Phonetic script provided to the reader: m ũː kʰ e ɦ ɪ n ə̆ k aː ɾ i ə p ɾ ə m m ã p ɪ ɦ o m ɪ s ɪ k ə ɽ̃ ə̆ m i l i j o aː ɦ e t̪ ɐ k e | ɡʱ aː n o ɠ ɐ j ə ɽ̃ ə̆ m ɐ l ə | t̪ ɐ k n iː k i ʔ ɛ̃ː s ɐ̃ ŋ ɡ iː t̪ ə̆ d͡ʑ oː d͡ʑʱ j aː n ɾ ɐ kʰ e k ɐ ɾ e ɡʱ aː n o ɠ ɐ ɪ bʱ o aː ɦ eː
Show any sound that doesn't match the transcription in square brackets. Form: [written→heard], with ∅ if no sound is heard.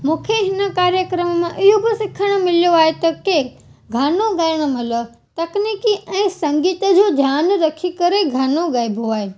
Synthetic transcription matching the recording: m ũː kʰ e ɦ ɪ n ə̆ k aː ɾ [i→j] ə [p→k] ɾ ə m m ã [p→ʔ] ɪ ɦ o [m→b] ɪ s ɪ [k→kʰ] ə ɽ̃ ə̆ m [i→ɪ] l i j o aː ɦ e t̪ ɐ k e | ɡʱ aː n o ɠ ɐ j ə ɽ̃ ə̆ m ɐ l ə | t̪ ɐ k n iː k i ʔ ɛ̃ː s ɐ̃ ŋ ɡ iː t̪ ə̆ d͡ʑ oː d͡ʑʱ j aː n ɾ ɐ kʰ [e→i] k ɐ ɾ e ɡʱ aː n o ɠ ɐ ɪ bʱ o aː ɦ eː